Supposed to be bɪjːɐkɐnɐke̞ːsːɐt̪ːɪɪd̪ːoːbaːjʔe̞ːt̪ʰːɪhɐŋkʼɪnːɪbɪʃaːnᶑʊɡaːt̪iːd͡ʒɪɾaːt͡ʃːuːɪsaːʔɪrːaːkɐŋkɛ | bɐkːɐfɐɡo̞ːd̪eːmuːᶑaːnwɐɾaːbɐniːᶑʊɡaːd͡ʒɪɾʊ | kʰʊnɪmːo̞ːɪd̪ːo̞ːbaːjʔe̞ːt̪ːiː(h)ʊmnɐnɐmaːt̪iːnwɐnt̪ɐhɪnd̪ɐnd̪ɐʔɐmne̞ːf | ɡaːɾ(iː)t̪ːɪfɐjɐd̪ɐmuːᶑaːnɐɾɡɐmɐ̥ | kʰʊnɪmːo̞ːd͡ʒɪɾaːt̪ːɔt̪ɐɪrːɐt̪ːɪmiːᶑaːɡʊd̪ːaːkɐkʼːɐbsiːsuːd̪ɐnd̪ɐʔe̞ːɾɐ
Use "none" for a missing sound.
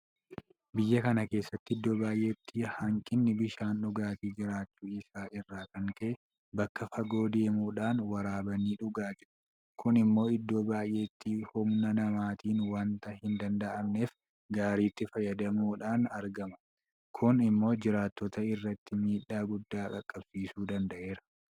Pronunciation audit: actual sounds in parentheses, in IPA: h, iː

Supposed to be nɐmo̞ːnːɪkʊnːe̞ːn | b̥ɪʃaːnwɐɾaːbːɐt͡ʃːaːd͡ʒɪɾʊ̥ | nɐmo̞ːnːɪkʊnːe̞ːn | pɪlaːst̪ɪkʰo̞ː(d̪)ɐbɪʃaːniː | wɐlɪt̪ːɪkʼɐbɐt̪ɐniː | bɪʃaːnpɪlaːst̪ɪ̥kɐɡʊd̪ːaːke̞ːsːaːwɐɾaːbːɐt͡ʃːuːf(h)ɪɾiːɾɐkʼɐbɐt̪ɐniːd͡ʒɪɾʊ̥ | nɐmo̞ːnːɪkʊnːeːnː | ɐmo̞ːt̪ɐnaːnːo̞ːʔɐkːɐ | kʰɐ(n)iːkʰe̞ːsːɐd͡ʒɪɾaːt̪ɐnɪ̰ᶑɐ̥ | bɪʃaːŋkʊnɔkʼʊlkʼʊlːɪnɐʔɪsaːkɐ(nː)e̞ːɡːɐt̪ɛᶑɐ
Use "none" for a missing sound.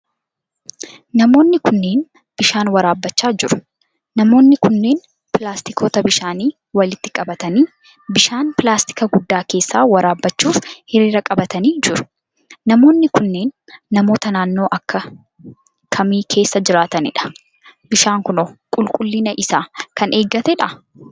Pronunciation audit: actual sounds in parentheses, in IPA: t̪, h, m, n

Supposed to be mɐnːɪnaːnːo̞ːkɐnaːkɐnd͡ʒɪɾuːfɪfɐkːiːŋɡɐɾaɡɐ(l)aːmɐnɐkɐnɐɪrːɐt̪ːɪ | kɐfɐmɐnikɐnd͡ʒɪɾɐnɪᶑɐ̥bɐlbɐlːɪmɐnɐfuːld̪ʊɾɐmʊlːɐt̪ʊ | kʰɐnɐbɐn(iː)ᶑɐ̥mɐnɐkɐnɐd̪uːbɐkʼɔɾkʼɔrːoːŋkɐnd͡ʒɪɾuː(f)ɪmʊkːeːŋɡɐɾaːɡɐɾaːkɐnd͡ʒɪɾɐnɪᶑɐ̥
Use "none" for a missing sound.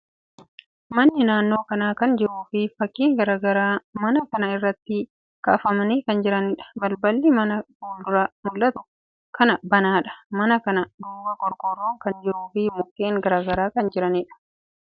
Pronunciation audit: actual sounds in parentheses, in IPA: ɾ, aː, f

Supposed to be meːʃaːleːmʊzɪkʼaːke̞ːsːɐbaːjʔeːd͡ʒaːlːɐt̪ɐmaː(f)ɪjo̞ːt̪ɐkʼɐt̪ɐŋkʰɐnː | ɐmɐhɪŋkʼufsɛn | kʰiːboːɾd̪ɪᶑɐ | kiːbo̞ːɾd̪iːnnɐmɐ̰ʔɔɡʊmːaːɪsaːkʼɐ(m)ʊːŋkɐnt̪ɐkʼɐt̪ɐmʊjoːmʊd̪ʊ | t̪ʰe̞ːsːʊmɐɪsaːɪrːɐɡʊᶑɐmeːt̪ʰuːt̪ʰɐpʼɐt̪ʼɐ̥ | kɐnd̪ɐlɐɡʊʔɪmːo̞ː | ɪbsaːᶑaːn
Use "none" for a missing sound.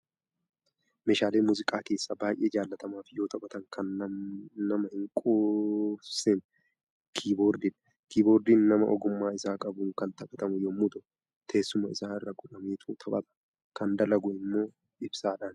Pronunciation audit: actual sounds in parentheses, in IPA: f, b

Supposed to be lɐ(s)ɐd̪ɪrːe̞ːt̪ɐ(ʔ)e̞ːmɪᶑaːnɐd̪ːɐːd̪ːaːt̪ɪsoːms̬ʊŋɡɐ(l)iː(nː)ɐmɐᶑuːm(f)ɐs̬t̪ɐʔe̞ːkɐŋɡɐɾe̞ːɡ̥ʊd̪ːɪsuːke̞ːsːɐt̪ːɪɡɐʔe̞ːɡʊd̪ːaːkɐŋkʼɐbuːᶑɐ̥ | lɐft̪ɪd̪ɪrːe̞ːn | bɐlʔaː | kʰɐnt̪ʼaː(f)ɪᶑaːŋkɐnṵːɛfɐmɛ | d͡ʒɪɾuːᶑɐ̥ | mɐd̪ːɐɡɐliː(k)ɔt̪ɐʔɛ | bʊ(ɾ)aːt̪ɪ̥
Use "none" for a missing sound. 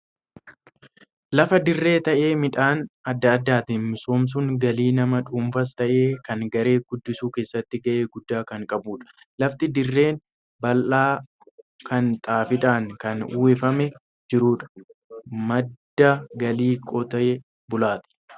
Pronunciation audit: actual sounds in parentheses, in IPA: f, ʔ, l, n, f, f, kʼ, l

